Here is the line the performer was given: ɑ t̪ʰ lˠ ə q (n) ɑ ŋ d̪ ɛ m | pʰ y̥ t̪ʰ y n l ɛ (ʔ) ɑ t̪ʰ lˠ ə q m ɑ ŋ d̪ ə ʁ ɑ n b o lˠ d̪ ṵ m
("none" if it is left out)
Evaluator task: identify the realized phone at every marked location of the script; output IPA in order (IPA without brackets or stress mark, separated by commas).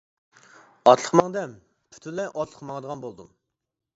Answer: m, ʔ